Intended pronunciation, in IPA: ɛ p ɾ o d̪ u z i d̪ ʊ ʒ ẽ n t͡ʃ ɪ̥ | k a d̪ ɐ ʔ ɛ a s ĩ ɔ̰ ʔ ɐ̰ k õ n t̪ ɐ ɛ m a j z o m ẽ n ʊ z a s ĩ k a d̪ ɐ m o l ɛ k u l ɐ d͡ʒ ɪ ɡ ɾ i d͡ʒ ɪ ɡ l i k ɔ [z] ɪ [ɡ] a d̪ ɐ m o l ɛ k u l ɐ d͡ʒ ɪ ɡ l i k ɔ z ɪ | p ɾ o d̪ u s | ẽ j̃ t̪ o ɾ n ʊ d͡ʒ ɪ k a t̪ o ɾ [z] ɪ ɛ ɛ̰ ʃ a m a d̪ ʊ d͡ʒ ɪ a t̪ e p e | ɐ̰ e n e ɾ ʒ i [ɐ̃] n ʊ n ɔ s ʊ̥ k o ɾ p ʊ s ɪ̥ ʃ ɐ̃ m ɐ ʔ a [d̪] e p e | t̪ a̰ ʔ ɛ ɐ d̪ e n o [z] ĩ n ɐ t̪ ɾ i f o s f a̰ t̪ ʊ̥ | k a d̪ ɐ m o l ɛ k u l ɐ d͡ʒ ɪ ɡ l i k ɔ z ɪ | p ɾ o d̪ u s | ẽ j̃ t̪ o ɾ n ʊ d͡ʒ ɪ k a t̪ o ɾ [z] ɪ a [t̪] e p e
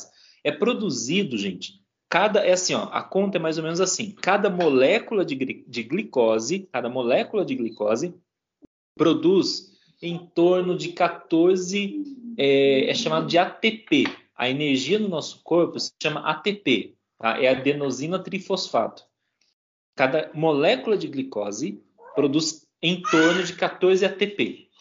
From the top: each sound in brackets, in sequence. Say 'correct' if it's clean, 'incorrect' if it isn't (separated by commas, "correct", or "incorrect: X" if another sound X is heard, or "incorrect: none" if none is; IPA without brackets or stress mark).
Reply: correct, incorrect: k, correct, incorrect: ɐ, incorrect: t̪, correct, correct, correct